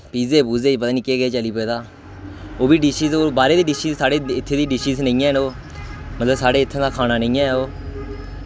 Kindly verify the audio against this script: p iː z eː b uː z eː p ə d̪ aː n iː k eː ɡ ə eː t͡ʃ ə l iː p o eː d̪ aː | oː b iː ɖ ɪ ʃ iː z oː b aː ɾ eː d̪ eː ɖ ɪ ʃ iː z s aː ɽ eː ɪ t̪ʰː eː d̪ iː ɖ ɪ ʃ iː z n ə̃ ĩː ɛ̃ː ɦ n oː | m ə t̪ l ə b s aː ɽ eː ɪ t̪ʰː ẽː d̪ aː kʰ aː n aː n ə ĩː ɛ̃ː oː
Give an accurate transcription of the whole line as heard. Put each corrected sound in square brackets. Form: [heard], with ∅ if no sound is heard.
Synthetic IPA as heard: p iː z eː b uː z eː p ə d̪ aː n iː k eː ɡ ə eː t͡ʃ ə l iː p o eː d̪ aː | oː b iː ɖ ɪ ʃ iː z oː b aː ɾ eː d̪ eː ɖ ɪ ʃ iː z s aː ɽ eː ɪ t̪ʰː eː d̪ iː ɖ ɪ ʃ iː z n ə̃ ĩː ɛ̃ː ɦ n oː | m ə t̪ l ə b s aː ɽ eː ɪ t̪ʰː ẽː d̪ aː kʰ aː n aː n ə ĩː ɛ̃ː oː